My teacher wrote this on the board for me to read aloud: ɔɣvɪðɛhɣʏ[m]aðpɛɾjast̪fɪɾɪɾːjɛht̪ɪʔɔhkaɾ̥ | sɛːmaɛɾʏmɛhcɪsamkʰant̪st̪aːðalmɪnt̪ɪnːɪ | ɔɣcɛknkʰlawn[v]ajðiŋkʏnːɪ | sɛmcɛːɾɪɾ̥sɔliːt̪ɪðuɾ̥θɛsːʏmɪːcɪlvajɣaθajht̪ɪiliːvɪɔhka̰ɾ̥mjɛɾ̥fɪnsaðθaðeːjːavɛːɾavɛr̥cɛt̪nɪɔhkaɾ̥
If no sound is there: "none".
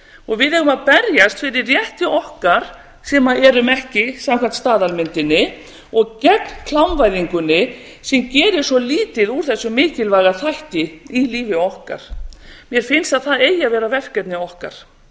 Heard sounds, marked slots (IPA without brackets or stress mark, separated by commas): m, v